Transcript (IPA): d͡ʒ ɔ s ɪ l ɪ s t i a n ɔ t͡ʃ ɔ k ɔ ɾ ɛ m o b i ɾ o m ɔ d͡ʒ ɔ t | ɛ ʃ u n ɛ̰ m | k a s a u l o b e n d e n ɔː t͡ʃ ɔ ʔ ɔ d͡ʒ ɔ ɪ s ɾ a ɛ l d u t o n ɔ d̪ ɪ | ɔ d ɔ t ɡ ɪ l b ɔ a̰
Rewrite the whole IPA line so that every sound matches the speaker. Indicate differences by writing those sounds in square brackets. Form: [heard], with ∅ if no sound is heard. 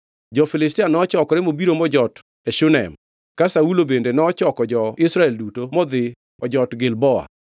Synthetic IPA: d͡ʒ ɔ [f] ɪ l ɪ s t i a n ɔ t͡ʃ ɔ k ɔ ɾ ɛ m o b i ɾ o m ɔ d͡ʒ ɔ t | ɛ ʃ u n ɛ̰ m | k a s a u l o b e n d e n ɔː t͡ʃ ɔ [k] ɔ d͡ʒ ɔ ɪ s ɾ a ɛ l d u t o [m] ɔ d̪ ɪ | ɔ [d͡ʒ] ɔ t ɡ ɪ l b ɔ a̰